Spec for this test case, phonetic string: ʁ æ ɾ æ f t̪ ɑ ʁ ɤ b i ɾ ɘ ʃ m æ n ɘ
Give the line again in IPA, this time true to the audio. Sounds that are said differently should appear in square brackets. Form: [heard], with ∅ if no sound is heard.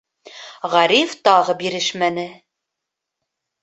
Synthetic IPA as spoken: ʁ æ ɾ [i] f t̪ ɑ ʁ ɤ b i ɾ ɘ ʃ m æ n ɘ